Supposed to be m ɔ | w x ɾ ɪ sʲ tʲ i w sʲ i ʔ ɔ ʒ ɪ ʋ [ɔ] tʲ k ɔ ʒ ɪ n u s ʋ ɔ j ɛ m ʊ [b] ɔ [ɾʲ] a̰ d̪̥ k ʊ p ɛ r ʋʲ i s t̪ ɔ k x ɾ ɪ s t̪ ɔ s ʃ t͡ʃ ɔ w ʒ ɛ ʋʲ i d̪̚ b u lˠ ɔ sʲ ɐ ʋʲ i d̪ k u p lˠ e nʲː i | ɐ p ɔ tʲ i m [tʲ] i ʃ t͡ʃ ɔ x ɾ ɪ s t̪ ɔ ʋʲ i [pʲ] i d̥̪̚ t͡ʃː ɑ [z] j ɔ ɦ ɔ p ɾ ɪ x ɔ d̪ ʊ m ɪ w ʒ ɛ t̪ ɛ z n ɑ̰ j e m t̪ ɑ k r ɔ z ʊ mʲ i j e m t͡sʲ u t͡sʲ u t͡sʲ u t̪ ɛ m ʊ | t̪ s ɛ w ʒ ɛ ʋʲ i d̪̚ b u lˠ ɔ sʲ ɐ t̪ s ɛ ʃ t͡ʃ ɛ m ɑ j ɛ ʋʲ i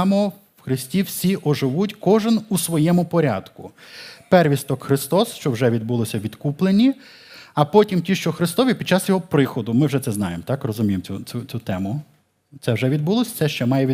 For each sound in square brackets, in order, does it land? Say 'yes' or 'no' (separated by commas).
no, no, yes, yes, yes, no